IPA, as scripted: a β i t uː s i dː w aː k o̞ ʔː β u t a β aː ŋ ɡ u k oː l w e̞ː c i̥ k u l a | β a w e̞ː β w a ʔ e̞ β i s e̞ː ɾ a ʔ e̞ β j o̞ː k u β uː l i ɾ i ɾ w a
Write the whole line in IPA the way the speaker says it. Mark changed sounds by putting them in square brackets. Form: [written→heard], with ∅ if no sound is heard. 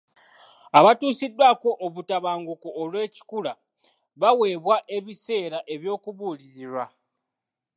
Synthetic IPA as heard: a β [i→a] t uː s i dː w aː k o̞ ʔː β u t a β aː ŋ ɡ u k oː l w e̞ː c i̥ k u l a | β a w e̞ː β w a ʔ e̞ β i s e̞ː ɾ a ʔ e̞ β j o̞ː k u β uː l i ɾ i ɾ w a